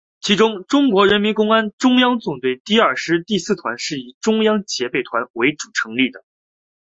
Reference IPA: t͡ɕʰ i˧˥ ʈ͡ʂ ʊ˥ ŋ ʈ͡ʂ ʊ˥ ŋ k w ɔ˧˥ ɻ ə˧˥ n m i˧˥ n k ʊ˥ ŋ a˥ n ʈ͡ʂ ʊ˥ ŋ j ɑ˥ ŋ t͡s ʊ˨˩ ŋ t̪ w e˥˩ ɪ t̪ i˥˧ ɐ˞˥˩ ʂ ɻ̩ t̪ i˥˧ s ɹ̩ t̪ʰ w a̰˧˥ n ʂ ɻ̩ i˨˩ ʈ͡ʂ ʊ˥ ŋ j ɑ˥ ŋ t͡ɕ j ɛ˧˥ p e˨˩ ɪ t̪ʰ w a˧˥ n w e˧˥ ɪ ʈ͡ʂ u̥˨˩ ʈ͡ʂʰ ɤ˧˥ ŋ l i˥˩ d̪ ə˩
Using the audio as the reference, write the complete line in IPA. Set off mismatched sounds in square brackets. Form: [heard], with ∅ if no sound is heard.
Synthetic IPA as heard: t͡ɕʰ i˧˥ ʈ͡ʂ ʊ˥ ŋ ʈ͡ʂ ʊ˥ ŋ k w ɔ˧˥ ɻ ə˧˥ n m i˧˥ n k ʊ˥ ŋ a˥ n ʈ͡ʂ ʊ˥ ŋ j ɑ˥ ŋ t͡s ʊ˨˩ ŋ t̪ w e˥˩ ɪ t̪ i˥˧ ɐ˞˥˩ ʂ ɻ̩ t̪ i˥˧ s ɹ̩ t̪ʰ w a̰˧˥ n ʂ ɻ̩ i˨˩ ʈ͡ʂ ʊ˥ ŋ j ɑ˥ ŋ t͡ɕ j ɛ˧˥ p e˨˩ ɪ t̪ʰ w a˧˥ n w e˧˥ ɪ ʈ͡ʂ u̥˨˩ ʈ͡ʂʰ ɤ˧˥ ŋ l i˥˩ d̪ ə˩

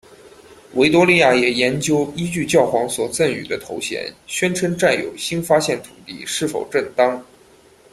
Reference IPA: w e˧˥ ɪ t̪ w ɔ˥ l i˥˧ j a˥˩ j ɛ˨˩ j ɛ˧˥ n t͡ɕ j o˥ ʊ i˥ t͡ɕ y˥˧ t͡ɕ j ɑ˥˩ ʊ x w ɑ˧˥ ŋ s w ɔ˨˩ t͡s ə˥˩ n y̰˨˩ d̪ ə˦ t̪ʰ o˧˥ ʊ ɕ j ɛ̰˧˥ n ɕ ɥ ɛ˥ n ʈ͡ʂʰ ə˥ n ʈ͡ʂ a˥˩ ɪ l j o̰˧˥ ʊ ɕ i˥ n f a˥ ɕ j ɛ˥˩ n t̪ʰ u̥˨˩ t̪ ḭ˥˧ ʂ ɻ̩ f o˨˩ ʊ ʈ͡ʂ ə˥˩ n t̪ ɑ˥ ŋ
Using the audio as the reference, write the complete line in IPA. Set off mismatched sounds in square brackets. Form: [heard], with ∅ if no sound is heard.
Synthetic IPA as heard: w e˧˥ ɪ t̪ w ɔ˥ l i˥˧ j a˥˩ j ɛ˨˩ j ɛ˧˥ n t͡ɕ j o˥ ʊ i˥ t͡ɕ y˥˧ t͡ɕ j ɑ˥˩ ʊ x w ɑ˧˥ ŋ s w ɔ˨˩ t͡s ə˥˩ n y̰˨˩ d̪ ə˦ t̪ʰ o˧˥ ʊ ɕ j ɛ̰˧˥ n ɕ ɥ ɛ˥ n ʈ͡ʂʰ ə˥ n ʈ͡ʂ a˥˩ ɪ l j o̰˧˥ ʊ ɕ i˥ n f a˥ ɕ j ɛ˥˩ n t̪ʰ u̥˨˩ t̪ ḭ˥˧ ʂ ɻ̩ f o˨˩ ʊ ʈ͡ʂ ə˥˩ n t̪ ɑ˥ ŋ

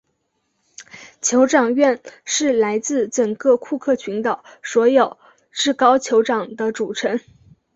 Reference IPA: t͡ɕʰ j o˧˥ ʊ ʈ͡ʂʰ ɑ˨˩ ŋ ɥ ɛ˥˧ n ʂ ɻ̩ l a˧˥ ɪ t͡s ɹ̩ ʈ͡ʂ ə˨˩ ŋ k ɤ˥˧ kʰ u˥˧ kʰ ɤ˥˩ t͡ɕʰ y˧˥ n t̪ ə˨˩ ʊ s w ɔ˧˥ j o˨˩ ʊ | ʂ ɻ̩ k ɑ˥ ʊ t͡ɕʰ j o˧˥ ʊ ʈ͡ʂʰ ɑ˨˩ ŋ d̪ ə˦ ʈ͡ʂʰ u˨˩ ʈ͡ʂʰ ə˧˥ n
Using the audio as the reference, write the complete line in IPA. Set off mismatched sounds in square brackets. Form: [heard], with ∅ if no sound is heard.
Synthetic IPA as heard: t͡ɕʰ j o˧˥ ʊ [ʈ͡ʂ] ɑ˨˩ ŋ ɥ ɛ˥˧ n ʂ ɻ̩ l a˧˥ ɪ t͡s ɹ̩ ʈ͡ʂ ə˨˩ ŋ k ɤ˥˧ kʰ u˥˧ kʰ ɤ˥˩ t͡ɕʰ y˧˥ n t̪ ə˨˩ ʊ s w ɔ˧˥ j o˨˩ ʊ | [ʈ͡ʂ] ɻ̩ k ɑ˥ ʊ t͡ɕʰ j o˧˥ ʊ [ʈ͡ʂ] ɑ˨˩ ŋ d̪ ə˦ [ʈ͡ʂ] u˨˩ ʈ͡ʂʰ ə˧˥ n

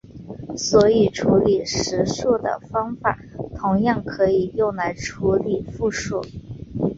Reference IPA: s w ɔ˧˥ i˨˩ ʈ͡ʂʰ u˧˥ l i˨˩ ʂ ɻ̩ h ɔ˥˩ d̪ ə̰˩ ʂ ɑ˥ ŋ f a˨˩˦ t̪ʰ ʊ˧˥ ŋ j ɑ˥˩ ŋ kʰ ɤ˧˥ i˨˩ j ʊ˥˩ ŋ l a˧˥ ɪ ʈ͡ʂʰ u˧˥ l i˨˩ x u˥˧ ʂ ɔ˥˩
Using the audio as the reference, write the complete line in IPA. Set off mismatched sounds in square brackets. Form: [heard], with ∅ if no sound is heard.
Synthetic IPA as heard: s w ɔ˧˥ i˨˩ ʈ͡ʂʰ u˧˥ l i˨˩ ʂ ɻ̩ [ʂ] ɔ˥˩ d̪ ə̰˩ [f] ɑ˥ ŋ f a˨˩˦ t̪ʰ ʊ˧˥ ŋ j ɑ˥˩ ŋ kʰ ɤ˧˥ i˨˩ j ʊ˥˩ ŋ l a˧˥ ɪ ʈ͡ʂʰ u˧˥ l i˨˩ [f] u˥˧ ʂ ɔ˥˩

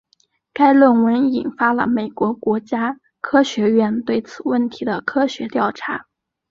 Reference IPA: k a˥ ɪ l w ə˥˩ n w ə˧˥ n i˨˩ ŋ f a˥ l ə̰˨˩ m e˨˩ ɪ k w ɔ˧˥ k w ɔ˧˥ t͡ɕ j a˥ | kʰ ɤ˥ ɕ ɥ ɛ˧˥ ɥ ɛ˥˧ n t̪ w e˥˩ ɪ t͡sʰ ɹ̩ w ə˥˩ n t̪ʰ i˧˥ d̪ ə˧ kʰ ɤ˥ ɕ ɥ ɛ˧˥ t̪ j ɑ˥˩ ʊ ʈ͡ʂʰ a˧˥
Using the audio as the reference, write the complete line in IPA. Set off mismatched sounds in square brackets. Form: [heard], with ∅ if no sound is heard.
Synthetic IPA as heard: k a˥ ɪ l w ə˥˩ n w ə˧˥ n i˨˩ [n] f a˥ l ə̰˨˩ m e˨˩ ɪ k w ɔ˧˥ k w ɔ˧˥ t͡ɕ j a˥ | kʰ ɤ˥ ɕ ɥ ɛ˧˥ ɥ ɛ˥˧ n t̪ w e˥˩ ɪ t͡sʰ ɹ̩ w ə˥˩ n t̪ʰ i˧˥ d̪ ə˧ kʰ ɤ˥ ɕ ɥ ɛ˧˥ t̪ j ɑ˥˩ ʊ ʈ͡ʂʰ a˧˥

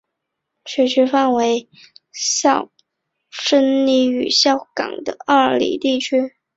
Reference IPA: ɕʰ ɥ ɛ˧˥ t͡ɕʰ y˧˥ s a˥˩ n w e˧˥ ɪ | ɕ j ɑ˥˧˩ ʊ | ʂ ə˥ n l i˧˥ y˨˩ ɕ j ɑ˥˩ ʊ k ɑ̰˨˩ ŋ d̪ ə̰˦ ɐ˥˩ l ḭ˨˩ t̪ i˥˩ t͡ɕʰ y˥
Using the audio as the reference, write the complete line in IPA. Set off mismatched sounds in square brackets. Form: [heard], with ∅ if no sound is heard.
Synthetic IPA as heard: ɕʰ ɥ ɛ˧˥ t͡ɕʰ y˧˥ [f] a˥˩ n w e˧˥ ɪ | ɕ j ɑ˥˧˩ ʊ | ʂ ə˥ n l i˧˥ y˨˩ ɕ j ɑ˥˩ ʊ k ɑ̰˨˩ ŋ d̪ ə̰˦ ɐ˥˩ l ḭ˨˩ t̪ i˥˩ t͡ɕʰ y˥

